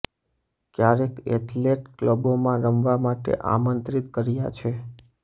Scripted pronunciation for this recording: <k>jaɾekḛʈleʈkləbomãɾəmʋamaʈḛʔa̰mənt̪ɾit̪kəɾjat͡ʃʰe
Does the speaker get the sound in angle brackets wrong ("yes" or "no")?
no